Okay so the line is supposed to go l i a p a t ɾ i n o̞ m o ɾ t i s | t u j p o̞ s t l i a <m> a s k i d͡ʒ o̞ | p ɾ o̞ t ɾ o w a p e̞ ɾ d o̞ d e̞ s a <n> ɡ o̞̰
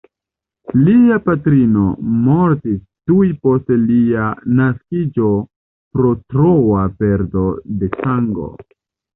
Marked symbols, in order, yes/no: no, no

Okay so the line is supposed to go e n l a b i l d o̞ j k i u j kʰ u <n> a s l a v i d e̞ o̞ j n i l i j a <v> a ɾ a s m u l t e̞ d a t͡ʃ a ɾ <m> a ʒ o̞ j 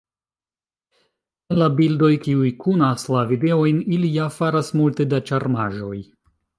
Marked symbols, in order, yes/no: yes, no, yes

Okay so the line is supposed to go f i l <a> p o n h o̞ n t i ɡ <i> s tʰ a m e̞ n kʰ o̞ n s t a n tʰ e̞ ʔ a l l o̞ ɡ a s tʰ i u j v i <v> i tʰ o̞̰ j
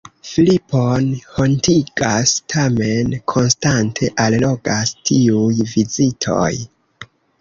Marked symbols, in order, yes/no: no, no, no

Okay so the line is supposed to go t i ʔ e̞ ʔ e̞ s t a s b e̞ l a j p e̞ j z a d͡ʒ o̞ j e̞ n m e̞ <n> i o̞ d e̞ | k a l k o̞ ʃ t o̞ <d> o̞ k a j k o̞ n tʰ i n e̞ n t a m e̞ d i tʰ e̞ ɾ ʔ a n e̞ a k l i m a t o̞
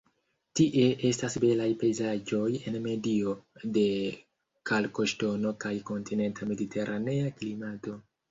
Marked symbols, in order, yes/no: no, no

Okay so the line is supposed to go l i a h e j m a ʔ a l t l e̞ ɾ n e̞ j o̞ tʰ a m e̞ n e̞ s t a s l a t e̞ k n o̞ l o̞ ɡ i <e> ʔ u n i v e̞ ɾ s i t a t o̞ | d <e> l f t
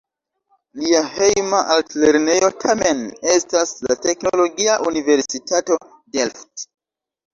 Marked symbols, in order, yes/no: no, yes

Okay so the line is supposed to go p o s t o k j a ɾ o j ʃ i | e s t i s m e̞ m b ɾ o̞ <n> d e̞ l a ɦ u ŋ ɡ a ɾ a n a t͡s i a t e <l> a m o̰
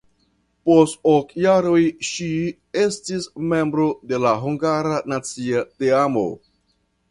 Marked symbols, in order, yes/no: no, no

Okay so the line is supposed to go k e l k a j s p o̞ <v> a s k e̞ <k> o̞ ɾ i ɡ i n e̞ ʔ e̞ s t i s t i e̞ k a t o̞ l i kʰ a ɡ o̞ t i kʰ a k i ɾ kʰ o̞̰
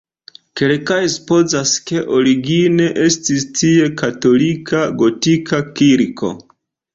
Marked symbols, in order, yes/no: no, no

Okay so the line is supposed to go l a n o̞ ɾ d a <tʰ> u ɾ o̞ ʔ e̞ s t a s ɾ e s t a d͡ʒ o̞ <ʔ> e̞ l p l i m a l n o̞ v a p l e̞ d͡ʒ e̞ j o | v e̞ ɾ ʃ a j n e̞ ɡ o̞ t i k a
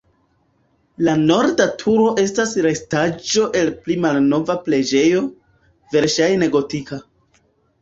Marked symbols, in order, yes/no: yes, yes

